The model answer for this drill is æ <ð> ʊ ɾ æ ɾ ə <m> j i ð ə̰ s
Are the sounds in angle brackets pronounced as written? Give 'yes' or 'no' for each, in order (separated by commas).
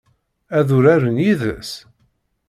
yes, no